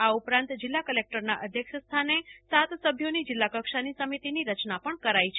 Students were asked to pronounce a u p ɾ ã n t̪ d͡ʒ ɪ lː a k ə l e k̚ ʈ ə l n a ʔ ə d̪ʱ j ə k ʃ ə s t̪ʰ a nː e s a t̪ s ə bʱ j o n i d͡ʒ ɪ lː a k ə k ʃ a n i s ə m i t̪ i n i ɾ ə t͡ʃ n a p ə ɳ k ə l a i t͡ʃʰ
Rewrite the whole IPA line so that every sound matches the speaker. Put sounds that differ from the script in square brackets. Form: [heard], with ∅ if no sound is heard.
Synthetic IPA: a u p ɾ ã n t̪ d͡ʒ ɪ lː a k ə l e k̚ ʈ ə [ɾ] n a ʔ ə d̪ʱ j ə k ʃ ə s t̪ʰ a [n] e s a t̪ s ə bʱ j o n i d͡ʒ ɪ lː a k ə k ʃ a n i s ə m i t̪ i n i ɾ ə t͡ʃ n a p ə ɳ k ə [ɾ] a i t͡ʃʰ